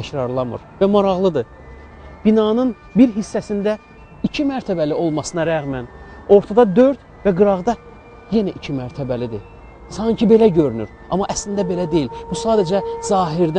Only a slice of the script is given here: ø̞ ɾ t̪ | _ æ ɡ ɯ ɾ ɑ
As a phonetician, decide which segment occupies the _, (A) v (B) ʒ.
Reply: A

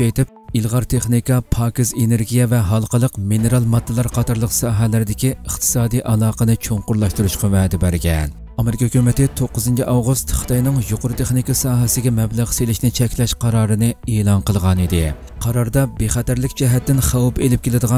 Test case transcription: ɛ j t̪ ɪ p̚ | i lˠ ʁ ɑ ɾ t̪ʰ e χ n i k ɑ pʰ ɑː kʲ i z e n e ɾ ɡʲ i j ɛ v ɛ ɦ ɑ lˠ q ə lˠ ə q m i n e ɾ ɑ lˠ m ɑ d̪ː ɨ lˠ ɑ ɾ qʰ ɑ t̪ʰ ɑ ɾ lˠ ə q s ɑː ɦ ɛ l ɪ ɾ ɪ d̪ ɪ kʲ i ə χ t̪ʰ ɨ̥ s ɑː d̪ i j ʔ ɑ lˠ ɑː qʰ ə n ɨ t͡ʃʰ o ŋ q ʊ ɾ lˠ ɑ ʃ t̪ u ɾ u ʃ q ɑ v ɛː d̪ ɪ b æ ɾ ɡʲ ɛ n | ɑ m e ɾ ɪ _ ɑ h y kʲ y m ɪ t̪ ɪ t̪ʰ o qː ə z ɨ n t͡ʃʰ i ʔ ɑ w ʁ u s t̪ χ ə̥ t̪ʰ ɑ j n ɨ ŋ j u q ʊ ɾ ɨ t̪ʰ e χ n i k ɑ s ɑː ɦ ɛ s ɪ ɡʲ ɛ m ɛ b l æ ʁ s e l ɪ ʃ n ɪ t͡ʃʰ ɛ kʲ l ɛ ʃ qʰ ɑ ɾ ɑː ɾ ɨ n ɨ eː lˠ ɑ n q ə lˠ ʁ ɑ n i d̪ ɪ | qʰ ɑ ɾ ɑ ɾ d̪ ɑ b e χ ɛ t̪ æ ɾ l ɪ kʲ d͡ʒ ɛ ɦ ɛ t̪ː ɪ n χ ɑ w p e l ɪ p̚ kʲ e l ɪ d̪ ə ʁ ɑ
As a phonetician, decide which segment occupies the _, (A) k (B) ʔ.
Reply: A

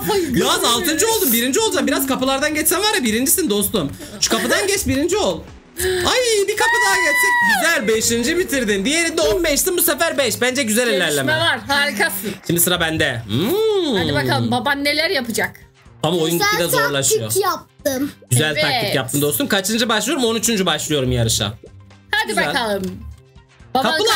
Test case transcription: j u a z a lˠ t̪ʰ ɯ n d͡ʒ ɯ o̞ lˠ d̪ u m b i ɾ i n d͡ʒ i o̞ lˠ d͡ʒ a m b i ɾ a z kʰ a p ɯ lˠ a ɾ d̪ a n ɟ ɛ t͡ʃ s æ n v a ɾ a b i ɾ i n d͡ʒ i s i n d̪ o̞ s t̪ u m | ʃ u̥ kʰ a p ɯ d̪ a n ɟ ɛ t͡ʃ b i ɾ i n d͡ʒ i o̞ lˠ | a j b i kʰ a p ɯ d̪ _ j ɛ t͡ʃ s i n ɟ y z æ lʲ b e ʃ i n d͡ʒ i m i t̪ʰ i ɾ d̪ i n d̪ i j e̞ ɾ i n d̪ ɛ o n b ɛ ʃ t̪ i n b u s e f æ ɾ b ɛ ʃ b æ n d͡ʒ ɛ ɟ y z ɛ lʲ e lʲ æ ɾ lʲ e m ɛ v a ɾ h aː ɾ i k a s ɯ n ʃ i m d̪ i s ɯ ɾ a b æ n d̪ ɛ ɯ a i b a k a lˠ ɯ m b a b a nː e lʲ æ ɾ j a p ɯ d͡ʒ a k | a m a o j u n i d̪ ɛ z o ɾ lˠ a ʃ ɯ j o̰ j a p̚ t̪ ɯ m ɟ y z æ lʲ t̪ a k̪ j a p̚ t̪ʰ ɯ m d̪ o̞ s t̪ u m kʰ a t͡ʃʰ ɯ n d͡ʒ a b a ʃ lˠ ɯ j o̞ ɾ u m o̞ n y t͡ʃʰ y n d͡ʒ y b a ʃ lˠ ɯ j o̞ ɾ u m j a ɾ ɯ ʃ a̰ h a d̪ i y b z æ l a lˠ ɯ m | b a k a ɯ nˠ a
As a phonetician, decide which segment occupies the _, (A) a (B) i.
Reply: A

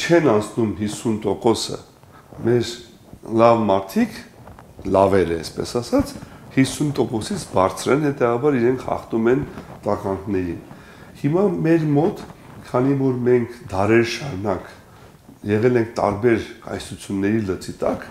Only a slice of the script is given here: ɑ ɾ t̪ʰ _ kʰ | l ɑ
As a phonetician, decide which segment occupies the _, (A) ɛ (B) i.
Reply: B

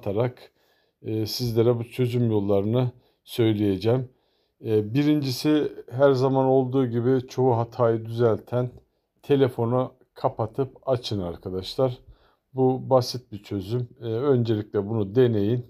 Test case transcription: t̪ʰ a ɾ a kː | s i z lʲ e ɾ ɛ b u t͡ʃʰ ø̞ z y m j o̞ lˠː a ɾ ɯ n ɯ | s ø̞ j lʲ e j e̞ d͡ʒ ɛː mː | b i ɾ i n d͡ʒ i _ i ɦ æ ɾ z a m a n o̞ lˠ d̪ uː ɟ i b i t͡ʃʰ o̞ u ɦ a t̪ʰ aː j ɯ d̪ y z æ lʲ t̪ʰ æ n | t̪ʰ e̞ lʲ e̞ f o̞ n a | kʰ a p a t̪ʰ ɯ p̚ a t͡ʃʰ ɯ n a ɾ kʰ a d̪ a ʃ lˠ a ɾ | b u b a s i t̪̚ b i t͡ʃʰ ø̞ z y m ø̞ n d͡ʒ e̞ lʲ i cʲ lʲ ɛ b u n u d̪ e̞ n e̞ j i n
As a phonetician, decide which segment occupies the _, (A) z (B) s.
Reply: B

